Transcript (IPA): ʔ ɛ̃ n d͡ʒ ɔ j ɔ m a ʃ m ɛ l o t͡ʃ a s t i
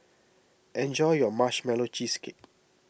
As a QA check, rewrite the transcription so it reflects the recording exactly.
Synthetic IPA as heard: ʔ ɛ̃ n d͡ʒ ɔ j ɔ m a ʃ m ɛ l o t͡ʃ i s k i